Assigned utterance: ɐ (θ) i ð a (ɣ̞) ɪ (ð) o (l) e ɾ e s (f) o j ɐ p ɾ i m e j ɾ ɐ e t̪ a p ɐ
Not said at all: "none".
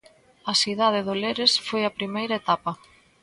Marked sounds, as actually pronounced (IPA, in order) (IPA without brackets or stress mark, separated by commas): s, ð̞, ð, l, f